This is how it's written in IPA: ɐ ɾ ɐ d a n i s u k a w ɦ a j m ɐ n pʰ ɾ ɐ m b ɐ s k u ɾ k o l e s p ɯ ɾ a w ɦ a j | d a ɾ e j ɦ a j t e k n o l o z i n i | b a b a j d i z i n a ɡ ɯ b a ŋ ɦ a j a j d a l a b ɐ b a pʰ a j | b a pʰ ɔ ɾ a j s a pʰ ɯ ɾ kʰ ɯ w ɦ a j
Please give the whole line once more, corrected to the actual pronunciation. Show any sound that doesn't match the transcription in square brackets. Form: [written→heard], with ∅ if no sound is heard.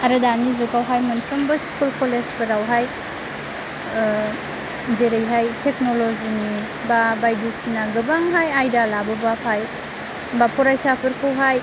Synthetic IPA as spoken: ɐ ɾ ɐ d a n i [s→z] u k a w ɦ a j m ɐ n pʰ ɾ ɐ m b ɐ s k u [ɾ→l] k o l e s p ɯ ɾ a w ɦ a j | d [a→e] ɾ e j ɦ a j t e k n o l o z i n i | b a b a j d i [z→s] i n a ɡ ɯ b a ŋ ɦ a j a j d a l a b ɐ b a pʰ a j | b a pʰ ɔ ɾ a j s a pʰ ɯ ɾ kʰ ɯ w ɦ a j

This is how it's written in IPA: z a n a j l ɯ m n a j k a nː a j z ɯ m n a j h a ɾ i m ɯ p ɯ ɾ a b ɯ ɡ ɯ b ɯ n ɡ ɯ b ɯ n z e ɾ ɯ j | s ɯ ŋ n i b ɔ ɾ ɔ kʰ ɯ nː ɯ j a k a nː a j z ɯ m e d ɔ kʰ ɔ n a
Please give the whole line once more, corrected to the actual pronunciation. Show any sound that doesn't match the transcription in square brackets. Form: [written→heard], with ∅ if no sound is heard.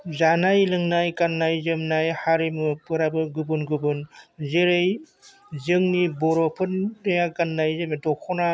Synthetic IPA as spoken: z a n a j l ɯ [m→ŋ] n a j k a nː a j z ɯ m n a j h a ɾ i m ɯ p ɯ ɾ a b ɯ ɡ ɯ b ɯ n ɡ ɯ b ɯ n z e ɾ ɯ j | [s→z] ɯ ŋ n i b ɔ ɾ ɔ [kʰ→pʰ] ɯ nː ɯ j a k a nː a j z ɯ m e d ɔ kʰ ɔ n a

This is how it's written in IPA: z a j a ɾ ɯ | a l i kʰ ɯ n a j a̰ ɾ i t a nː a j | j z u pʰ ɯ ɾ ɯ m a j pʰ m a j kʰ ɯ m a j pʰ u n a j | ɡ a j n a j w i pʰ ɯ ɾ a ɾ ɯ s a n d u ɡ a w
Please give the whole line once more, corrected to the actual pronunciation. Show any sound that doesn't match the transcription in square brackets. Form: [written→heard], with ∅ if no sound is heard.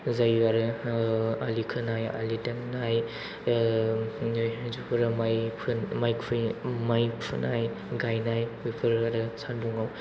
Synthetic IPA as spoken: z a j a ɾ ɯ | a l i kʰ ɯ n a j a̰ [ɾ→l] i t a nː a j | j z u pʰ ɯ ɾ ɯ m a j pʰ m a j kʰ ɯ m a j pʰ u n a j | ɡ a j n a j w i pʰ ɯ ɾ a ɾ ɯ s a n d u [ɡ→ŋ] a w

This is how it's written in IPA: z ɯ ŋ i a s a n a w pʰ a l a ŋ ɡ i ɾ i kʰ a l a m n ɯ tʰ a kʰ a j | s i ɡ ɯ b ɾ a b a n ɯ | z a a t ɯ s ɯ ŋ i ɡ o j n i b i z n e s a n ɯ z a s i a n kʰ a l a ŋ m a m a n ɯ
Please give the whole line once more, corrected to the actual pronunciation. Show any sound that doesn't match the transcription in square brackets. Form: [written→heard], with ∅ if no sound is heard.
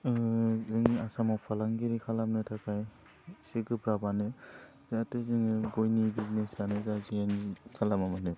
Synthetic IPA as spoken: z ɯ ŋ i a s a [n→m] a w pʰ a l a ŋ ɡ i ɾ i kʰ a l a m n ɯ tʰ a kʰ a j | s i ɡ ɯ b ɾ a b a n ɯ | z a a t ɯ [s→z] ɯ ŋ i ɡ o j n i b i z n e s a n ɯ z a [s→z] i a n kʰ a l a [ŋ→∅] m a m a n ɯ

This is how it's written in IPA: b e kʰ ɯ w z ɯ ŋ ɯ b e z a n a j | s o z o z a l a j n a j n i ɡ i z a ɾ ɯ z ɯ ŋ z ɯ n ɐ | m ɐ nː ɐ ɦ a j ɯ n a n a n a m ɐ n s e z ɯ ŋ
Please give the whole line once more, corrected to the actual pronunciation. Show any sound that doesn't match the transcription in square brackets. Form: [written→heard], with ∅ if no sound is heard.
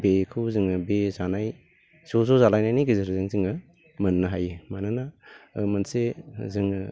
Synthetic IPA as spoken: b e kʰ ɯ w z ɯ ŋ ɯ b e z a n a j | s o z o z a l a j n a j n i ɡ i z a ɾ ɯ z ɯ ŋ z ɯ [n→ŋ] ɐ | m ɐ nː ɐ ɦ a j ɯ [n→m] a n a n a m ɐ n s e z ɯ ŋ

